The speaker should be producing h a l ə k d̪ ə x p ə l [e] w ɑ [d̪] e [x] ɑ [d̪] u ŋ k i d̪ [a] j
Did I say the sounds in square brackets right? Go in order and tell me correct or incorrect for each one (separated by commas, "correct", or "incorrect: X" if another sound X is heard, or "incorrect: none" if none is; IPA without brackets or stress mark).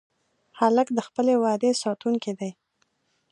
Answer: correct, correct, incorrect: s, incorrect: t̪, correct